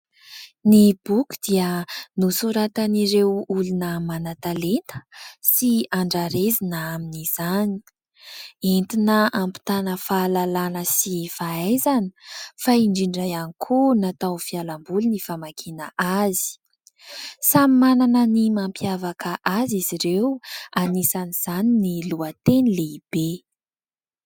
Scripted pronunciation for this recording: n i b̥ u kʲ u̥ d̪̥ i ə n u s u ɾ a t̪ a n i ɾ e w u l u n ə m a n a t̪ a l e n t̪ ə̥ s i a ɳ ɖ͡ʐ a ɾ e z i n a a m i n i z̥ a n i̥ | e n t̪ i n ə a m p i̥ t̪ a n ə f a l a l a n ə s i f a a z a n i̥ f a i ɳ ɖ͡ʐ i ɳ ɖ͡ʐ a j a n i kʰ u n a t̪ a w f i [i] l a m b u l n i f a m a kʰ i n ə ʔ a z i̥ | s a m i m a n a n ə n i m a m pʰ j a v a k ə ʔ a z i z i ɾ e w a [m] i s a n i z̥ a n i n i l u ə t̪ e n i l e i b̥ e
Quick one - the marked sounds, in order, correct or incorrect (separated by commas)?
incorrect, incorrect